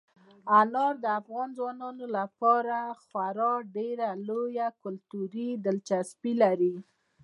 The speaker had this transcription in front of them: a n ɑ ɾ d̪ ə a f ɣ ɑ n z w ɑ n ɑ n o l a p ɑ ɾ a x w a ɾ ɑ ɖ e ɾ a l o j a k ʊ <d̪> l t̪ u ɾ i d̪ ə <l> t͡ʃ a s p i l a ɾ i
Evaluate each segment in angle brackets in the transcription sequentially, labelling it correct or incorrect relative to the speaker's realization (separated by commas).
incorrect, correct